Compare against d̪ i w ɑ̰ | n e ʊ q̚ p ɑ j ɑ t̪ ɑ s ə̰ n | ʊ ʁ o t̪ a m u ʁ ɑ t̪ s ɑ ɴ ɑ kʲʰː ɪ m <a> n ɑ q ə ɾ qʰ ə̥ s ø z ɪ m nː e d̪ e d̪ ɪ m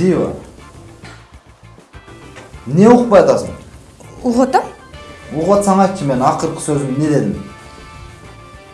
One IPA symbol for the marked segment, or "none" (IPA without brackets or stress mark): e